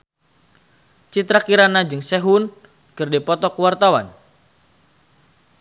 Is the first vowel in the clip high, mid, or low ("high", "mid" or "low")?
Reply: high